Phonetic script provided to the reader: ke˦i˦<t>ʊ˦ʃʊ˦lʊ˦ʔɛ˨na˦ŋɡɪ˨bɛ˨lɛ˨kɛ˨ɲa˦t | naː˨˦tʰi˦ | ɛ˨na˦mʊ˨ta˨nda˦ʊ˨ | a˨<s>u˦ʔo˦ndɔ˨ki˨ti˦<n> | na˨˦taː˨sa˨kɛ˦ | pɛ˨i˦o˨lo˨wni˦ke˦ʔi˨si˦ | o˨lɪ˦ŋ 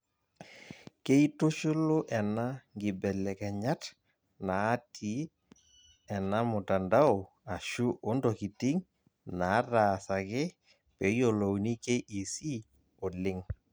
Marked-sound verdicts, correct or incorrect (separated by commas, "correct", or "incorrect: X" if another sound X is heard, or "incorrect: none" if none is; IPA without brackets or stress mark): correct, incorrect: ʃ, incorrect: ŋ